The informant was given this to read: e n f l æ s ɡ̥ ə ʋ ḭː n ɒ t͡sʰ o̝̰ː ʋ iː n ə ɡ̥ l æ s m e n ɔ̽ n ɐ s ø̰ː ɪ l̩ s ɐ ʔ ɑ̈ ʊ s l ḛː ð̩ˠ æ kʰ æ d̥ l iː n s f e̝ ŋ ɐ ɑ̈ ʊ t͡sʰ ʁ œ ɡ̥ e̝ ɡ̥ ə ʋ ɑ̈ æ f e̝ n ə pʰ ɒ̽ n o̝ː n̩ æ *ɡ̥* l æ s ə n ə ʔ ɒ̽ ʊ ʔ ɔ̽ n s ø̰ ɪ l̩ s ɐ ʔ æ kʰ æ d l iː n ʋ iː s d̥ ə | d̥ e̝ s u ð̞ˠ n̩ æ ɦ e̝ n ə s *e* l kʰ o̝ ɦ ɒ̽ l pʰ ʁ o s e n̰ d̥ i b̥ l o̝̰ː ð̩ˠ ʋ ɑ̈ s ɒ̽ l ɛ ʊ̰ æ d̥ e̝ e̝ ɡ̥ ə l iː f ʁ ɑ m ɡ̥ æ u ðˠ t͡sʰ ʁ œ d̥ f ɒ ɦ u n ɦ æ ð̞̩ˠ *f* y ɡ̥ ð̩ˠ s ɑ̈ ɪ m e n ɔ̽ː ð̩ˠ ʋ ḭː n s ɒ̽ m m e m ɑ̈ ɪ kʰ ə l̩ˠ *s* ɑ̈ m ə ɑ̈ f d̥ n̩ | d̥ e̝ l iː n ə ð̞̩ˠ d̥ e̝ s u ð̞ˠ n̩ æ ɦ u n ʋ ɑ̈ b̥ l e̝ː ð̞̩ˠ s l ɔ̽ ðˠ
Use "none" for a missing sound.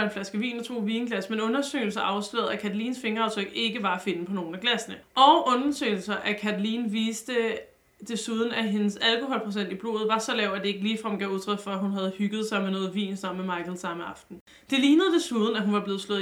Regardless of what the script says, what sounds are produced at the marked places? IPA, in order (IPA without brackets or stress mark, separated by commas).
ɡ̥, æ, h, s